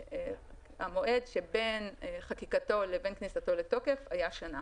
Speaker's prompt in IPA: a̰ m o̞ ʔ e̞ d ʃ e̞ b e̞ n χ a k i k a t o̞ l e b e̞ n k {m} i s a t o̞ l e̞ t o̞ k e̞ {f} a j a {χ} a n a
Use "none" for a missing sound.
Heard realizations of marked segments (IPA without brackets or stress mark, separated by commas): n, f, ʃ